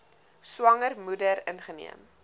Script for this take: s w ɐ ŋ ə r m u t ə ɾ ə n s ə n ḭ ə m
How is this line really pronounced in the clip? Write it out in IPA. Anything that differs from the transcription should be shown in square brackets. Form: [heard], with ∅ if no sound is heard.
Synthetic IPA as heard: s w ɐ ŋ ə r m u [d] ə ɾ ə n [χ] ə n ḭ ə m